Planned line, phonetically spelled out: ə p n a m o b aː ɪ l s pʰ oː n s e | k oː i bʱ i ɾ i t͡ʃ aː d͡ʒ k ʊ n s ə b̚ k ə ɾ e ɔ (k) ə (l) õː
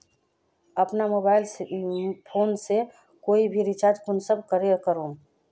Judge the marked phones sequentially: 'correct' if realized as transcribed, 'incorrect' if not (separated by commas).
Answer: correct, incorrect